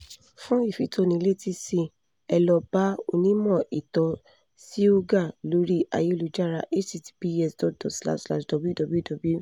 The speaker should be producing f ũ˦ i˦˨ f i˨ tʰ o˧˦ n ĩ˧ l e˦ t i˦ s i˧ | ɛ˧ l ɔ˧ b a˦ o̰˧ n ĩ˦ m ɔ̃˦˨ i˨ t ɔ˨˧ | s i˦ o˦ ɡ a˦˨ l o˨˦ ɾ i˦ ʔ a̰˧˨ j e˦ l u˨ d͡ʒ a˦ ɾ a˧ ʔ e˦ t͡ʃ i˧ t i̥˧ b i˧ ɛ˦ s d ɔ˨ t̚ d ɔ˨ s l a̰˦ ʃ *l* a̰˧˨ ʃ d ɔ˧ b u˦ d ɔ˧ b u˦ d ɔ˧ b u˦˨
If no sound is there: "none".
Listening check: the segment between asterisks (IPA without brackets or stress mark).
l